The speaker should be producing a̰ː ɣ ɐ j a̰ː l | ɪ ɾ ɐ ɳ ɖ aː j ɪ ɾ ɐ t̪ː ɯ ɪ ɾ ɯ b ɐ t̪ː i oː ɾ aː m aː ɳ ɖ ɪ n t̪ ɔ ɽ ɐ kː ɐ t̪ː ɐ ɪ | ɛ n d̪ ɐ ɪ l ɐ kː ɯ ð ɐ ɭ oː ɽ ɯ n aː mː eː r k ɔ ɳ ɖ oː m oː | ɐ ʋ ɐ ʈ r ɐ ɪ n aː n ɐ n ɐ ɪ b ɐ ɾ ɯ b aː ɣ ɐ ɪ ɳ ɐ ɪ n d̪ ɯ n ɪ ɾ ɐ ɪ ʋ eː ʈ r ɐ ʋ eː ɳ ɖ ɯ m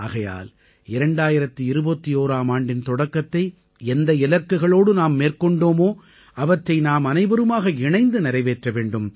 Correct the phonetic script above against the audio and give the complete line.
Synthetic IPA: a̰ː ɣ ɐ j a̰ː l | ɪ ɾ ɐ ɳ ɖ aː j ɪ ɾ ɐ t̪ː ɯ ɪ ɾ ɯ b ɐ t̪ː i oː ɾ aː m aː ɳ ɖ ɪ n t̪ ɔ ɽ ɐ kː ɐ t̪ː ɐ ɪ | ɛ n d̪ ɐ ɪ l ɐ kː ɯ ɣ ɐ ɭ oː ɽ ɯ n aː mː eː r k ɔ ɳ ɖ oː m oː | ɐ ʋ ɐ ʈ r ɐ ɪ n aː m ɐ n ɐ ɪ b ɐ ɾ ɯ m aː ɣ ɐ ɪ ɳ ɐ ɪ n d̪ ɯ n ɪ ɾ ɐ ɪ ʋ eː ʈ r ɐ ʋ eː ɳ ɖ ɯ m